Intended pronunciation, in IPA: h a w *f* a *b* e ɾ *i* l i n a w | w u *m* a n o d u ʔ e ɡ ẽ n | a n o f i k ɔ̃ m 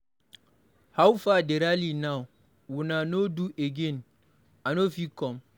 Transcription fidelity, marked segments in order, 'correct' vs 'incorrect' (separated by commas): correct, incorrect, incorrect, incorrect